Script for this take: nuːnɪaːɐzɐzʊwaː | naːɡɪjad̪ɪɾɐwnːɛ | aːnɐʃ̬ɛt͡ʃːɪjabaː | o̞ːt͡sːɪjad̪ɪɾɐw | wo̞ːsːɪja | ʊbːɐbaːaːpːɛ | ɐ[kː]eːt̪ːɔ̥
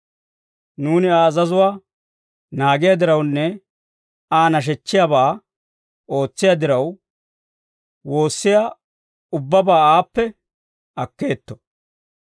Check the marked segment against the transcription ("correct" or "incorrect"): correct